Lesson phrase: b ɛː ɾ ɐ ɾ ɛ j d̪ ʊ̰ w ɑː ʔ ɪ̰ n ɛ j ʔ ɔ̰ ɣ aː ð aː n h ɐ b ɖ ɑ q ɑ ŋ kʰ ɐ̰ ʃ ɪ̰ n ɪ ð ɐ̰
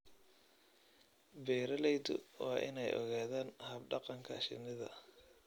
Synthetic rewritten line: b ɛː ɾ ɐ l ɛ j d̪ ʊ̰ w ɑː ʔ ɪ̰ n ɛ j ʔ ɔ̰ ɣ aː ð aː n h ɐ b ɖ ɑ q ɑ ŋ kʰ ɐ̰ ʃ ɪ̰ n ɪ ð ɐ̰